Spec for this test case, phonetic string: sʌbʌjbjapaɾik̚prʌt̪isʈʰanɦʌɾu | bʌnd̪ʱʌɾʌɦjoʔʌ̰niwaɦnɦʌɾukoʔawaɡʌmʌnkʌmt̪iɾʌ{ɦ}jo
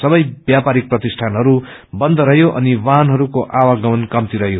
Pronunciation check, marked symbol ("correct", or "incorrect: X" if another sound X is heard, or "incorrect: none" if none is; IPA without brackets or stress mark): correct